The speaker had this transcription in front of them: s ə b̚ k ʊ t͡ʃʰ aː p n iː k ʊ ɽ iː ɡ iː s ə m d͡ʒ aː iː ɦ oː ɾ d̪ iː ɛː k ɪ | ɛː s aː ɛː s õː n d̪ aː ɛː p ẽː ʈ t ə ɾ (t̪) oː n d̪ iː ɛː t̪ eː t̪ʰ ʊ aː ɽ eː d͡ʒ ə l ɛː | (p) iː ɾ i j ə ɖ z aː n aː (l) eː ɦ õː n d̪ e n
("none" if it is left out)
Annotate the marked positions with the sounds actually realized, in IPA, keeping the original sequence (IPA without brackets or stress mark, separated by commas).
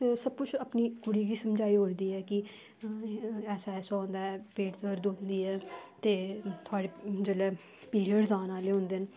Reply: d̪, p, l